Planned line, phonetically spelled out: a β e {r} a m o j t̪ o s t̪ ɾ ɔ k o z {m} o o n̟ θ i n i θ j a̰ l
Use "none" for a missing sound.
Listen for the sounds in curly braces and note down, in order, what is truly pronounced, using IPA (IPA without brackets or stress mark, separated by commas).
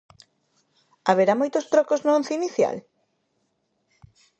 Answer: ɾ, n